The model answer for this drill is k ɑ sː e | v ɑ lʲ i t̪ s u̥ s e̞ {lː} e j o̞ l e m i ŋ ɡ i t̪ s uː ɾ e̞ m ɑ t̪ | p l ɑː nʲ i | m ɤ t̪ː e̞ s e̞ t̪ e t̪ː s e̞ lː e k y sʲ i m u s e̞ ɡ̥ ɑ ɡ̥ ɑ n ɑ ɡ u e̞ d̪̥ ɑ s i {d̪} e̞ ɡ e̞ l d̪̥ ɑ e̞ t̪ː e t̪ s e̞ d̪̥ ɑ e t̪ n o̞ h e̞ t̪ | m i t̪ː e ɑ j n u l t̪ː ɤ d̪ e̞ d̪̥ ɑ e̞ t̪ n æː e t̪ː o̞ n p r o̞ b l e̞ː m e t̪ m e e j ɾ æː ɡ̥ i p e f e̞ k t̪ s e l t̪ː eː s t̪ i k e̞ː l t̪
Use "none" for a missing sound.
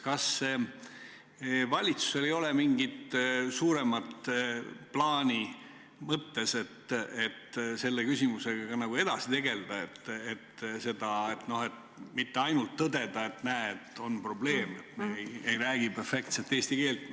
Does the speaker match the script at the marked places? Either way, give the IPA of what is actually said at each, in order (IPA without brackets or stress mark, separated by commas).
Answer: l, t̪